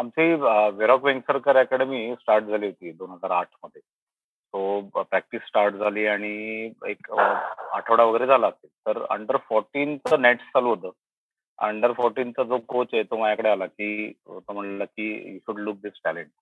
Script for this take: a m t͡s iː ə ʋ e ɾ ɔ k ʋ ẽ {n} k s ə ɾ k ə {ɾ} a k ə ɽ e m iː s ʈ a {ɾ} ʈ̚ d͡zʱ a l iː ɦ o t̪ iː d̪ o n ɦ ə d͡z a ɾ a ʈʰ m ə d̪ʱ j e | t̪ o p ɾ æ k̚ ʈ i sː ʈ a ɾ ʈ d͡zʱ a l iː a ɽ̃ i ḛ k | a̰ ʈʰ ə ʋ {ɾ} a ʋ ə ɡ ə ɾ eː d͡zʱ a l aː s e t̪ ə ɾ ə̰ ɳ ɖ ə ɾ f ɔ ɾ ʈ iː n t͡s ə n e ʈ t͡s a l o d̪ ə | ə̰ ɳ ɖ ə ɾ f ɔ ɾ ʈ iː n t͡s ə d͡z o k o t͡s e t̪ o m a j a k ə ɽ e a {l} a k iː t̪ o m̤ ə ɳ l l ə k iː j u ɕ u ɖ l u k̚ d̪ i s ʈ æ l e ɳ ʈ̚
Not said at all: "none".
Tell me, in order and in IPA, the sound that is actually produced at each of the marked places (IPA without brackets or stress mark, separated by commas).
ŋ, ɾ, ɾ, ɽ, l